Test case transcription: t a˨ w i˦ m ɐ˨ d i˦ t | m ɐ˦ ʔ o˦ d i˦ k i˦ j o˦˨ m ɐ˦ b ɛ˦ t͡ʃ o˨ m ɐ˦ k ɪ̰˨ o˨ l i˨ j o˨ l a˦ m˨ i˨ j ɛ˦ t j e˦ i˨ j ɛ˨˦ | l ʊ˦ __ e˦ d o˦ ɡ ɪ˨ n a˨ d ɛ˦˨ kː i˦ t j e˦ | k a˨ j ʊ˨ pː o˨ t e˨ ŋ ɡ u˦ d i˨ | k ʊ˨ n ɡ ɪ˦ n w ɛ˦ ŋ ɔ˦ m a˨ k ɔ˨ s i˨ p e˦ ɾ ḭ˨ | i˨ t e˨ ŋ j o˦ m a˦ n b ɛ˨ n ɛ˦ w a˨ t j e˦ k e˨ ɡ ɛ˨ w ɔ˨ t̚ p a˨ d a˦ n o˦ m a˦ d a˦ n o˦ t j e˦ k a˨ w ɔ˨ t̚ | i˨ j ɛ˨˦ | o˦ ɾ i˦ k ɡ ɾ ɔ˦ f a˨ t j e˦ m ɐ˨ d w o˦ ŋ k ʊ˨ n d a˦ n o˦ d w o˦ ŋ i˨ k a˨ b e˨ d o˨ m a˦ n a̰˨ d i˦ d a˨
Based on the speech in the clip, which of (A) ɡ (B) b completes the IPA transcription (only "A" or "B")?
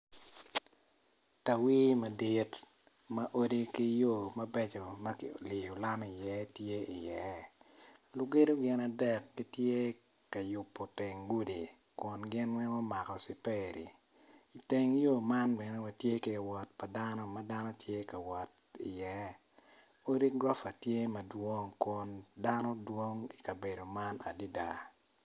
A